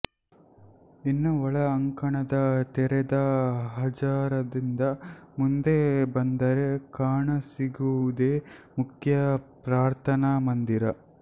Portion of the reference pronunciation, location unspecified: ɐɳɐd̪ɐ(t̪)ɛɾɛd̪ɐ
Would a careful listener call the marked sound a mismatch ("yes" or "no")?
no